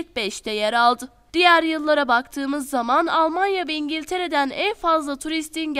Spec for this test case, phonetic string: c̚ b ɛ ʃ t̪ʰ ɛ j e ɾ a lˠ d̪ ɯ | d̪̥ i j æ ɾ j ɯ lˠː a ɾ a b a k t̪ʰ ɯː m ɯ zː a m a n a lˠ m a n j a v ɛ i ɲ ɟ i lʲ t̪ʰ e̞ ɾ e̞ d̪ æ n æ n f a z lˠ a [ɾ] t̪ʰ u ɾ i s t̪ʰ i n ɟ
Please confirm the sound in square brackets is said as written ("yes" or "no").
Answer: no